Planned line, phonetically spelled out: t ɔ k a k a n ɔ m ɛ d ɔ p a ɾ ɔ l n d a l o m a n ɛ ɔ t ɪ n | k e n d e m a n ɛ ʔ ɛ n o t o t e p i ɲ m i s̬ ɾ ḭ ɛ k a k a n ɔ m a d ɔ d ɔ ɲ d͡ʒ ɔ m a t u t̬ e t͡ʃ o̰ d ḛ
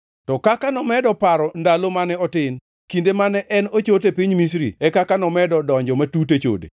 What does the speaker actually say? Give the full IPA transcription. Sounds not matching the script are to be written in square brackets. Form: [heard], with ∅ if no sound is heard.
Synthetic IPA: t ɔ k a k a n ɔ m ɛ d ɔ p a ɾ ɔ [∅] n d a l o m a n ɛ ɔ t ɪ n | k [i] n d e m a n ɛ ʔ ɛ n o [t͡ʃ] o t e p i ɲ m i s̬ ɾ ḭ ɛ k a k a n ɔ m [ɛ] d ɔ d ɔ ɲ d͡ʒ ɔ m a t u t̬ e t͡ʃ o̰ d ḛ